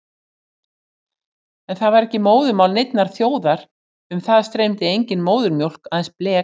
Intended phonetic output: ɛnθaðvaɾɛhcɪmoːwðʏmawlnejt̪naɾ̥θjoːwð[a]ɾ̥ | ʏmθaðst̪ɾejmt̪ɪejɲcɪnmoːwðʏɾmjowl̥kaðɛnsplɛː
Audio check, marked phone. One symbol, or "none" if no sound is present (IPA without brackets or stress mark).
a